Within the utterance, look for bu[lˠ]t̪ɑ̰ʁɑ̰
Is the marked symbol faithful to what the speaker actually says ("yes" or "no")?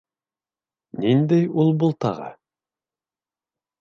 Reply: yes